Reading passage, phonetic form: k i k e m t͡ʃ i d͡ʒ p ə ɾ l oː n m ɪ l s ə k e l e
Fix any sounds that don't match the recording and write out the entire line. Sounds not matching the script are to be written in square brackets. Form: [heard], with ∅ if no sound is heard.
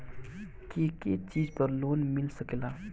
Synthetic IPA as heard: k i k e [∅] t͡ʃ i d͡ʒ p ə ɾ l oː n m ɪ l s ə k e l [a]